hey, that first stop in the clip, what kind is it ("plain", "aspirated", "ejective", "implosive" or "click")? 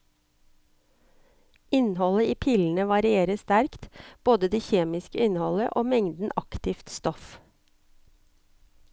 aspirated